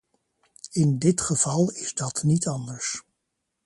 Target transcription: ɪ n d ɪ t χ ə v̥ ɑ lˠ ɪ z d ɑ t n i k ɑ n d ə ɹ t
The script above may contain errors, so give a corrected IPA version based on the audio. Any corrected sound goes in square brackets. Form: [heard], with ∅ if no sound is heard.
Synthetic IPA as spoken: ɪ n d ɪ t χ ə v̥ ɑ lˠ ɪ z d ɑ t n i [t] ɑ n d ə ɹ [s]

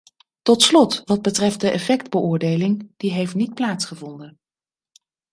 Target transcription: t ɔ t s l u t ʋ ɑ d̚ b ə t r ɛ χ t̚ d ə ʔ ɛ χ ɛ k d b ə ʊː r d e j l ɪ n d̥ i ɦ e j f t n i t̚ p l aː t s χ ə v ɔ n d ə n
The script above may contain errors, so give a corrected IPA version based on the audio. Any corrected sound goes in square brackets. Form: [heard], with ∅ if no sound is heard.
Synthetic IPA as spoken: t ɔ t s l [ɔ] t ʋ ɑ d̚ b ə t r ɛ [f] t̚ d ə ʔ ɛ [f] ɛ k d b ə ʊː [ɹ] d e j l ɪ [ŋ] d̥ i ɦ e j f t n i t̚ p l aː t s χ ə v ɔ n d ə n

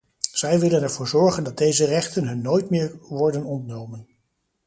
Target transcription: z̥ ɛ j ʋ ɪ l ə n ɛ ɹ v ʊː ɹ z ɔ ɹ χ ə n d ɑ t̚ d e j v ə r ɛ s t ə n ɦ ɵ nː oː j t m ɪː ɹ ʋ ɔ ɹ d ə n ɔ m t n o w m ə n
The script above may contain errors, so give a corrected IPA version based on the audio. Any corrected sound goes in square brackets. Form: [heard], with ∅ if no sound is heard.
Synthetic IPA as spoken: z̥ ɛ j ʋ ɪ l ə n ɛ ɹ v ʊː ɹ z ɔ ɹ χ ə n d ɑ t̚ d e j [z] ə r ɛ [χ] t ə n ɦ ɵ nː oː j t m ɪː ɹ ʋ ɔ ɹ d ə n ɔ [n] t n o w m ə n

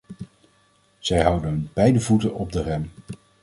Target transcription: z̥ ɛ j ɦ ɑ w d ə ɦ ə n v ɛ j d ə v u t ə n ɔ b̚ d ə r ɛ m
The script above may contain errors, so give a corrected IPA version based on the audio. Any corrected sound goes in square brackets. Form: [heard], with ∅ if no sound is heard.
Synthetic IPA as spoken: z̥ ɛ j ɦ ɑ w d ə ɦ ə n [b] ɛ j d ə v u t ə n ɔ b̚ d ə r ɛ m

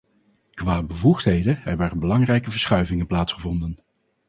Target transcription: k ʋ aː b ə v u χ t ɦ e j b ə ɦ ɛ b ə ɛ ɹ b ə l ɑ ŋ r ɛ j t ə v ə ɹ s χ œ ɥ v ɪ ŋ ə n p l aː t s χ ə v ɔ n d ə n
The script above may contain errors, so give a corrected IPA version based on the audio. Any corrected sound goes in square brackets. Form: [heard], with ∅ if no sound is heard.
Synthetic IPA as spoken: k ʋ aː b ə v u χ t ɦ e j [d] ə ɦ ɛ b ə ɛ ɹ b ə l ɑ ŋ r ɛ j [k] ə v ə ɹ s χ œ ɥ v ɪ ŋ ə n p l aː t s χ ə v ɔ n d ə n

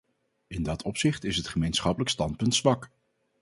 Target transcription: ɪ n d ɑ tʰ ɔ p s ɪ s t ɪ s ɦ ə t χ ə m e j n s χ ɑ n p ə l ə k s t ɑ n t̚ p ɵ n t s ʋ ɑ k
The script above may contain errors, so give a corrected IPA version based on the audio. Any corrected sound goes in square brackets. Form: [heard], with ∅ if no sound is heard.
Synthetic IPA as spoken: ɪ n d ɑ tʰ ɔ p s ɪ [χ] t ɪ s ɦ ə t χ ə m e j n s χ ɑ [∅] p ə l ə k s t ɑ n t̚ p ɵ n t s ʋ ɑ k

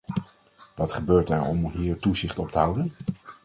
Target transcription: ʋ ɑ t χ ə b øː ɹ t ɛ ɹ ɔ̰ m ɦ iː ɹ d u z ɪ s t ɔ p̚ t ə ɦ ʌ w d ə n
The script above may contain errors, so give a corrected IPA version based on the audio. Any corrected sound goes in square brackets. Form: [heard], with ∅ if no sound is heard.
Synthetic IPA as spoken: ʋ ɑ t χ ə b øː ɹ t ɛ ɹ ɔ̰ m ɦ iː ɹ [t] u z ɪ [χ] t ɔ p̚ t ə ɦ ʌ w d ə n

